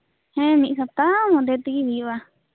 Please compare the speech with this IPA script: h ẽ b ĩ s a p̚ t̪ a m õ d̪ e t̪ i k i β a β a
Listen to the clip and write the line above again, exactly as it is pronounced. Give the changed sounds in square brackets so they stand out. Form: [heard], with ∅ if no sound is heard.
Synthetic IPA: h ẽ [m] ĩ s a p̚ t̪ a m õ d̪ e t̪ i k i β [i] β a